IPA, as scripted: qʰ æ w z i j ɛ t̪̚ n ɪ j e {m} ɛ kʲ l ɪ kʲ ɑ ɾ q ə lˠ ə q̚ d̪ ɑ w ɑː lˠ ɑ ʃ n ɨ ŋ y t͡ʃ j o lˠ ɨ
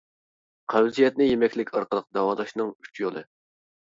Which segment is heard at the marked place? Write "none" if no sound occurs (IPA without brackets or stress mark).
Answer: m